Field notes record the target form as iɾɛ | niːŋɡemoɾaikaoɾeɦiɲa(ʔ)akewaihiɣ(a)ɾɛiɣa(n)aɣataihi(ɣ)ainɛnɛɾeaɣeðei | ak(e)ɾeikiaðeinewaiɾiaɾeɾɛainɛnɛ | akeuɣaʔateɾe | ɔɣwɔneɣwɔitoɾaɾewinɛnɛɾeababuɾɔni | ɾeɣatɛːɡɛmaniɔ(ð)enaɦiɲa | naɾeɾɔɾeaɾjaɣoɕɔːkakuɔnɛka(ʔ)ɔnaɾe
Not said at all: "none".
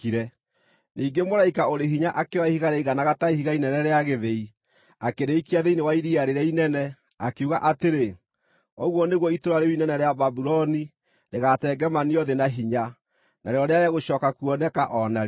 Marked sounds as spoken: ʔ, a, n, ɣ, e, ð, ʔ

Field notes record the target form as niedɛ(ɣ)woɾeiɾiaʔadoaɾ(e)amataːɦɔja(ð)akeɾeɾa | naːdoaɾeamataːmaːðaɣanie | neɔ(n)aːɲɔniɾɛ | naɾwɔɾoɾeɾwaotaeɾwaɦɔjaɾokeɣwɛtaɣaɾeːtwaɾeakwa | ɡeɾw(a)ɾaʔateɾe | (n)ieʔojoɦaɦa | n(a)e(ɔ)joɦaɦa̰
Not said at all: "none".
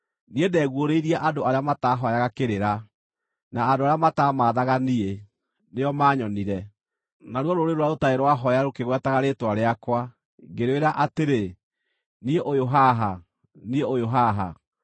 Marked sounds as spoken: ɣ, e, ɣ, m, e, n, i, o

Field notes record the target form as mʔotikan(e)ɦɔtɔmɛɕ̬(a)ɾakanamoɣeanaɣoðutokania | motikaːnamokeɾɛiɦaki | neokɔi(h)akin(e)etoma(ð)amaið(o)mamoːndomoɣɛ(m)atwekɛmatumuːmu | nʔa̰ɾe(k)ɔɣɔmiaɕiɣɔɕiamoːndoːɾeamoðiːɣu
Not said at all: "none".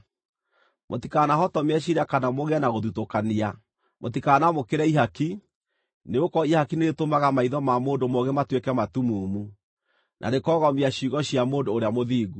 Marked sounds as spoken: a, i, h, e, ɣ, ɔ, m, k

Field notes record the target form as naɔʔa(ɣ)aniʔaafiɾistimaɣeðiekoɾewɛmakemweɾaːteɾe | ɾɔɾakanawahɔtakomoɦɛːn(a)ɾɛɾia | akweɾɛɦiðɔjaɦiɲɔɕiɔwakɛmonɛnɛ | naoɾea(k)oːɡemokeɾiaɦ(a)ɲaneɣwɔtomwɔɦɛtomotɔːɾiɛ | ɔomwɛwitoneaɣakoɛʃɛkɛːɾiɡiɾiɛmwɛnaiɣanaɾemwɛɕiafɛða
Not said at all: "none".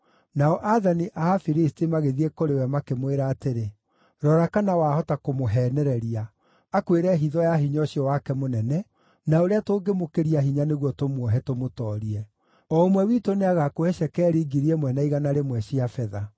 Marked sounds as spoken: ð, ɛ, t, i

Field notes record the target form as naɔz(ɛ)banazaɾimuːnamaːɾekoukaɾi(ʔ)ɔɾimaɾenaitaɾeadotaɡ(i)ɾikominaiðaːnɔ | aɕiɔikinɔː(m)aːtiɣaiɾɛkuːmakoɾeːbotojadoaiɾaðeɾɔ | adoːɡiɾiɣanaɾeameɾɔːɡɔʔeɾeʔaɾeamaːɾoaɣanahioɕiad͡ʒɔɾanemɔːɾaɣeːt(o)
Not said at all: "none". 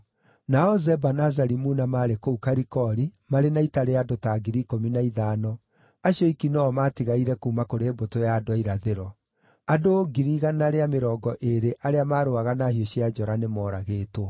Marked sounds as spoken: ɛ, k, i, m, o

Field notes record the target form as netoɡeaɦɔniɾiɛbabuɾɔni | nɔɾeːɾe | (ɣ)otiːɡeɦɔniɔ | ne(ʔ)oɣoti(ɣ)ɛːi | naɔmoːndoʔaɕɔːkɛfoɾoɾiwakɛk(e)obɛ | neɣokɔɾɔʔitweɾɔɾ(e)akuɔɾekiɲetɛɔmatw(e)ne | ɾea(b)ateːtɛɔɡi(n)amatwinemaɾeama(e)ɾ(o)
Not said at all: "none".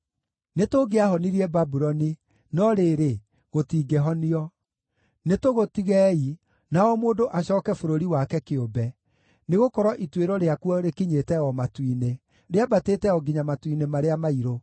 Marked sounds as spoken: ɣ, t, ɣ, e, e, i, b, ɲ, i, o

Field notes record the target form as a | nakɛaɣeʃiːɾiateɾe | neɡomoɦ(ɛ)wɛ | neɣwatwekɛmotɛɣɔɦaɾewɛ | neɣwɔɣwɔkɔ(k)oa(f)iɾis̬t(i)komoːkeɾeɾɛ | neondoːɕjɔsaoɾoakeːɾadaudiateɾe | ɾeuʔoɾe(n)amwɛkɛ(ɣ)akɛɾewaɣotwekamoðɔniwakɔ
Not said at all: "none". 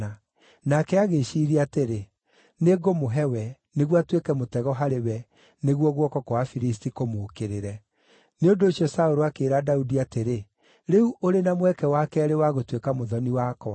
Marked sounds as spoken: ɛ, k, f, i, n, w

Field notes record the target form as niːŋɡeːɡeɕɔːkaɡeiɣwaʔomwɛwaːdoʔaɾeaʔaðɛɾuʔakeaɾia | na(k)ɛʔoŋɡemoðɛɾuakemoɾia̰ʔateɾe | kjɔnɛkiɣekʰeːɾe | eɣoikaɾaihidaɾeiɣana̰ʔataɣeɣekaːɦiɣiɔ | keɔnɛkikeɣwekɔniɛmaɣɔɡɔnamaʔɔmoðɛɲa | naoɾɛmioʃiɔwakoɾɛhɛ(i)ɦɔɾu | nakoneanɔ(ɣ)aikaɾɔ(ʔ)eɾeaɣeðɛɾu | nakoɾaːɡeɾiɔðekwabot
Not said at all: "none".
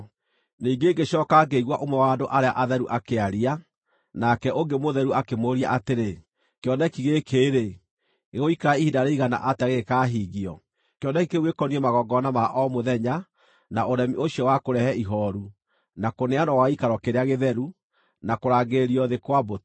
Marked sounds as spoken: k, i, w, k

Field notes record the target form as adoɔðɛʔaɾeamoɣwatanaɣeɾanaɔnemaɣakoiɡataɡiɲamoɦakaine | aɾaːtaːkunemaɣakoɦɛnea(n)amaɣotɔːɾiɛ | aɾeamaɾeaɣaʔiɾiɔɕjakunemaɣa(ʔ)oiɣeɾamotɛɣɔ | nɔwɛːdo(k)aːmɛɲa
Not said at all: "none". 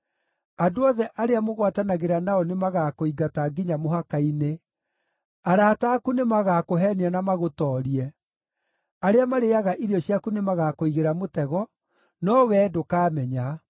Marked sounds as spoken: n, k, k

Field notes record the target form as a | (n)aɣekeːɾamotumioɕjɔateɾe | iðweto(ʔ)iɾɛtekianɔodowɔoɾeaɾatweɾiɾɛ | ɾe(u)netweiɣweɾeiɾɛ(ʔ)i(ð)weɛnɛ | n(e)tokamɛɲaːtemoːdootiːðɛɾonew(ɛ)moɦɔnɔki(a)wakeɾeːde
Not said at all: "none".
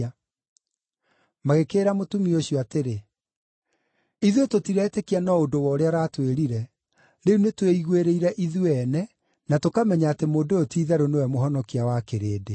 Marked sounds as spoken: m, t, u, ʔ, ð, a, ɛ, a

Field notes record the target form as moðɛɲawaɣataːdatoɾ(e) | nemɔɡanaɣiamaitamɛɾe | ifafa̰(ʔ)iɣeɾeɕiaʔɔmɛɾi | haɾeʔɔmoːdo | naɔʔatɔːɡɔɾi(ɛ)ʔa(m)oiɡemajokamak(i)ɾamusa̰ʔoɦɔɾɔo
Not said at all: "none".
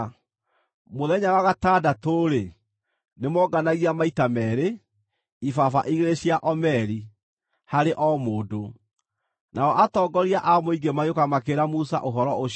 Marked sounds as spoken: e, ʔ, a, m, e

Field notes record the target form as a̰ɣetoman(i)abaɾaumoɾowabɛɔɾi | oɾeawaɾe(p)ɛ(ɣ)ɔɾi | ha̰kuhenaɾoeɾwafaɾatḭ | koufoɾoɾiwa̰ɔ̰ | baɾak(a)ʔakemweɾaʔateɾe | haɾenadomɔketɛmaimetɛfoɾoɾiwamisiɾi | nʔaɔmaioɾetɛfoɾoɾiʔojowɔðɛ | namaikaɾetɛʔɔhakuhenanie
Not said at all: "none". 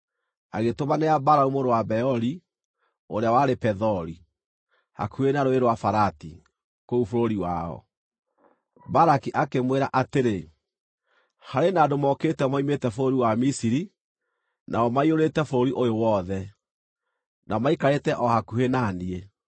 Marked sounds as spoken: e, p, ð, i

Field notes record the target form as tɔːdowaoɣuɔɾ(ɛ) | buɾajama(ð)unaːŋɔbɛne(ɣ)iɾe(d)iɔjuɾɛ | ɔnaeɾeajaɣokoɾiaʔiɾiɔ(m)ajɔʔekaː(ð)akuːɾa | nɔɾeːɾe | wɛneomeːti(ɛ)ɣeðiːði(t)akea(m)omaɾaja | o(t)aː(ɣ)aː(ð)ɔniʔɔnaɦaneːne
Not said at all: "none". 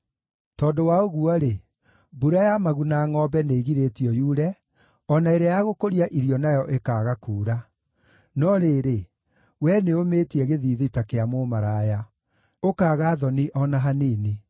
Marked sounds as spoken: e, ɣ, ɣ, t, n, ɣ, ɛ, t, m, k, ɣ, ð

